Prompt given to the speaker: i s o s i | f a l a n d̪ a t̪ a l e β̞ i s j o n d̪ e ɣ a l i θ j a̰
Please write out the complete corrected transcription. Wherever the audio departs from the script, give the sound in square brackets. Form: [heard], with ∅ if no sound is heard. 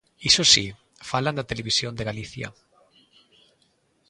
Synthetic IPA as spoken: i s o s i | f a l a n d̪ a t̪ [e] l e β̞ i s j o n d̪ e ɣ a l i θ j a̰